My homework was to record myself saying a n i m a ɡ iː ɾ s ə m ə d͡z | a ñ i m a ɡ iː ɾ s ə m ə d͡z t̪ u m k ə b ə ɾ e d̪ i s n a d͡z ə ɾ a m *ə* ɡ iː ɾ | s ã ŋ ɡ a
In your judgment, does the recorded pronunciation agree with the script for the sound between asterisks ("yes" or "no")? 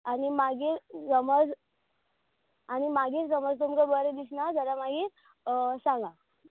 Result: no